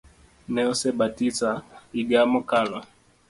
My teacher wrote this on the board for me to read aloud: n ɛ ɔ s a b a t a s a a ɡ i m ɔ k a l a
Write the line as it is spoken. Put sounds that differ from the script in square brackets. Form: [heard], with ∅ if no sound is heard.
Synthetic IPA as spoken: n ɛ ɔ s [ɛ] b a t [i] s a [i] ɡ [a] m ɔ k a l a